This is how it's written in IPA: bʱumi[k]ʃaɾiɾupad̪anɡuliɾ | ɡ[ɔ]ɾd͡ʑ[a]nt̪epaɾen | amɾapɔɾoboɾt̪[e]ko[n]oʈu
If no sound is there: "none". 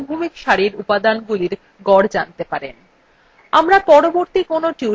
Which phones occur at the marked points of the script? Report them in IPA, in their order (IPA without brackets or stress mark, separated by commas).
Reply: k, ɔ, a, i, n